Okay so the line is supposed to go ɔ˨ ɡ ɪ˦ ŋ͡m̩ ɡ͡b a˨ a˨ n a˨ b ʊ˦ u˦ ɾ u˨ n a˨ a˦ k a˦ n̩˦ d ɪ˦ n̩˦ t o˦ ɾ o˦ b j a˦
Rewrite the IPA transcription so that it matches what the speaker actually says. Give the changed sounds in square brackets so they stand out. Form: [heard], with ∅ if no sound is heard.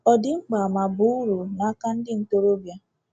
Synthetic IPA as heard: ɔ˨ [d] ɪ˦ ŋ͡m̩ ɡ͡b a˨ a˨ [m] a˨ b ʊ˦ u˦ ɾ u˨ n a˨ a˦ k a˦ n̩˦ d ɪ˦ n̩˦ t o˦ ɾ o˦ b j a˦